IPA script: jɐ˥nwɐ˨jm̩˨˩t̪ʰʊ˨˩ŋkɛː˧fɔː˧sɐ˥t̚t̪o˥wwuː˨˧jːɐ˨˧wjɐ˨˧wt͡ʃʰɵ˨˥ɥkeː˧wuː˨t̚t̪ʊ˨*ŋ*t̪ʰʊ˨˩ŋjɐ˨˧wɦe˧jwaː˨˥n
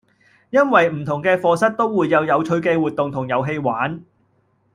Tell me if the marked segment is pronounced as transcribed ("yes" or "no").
yes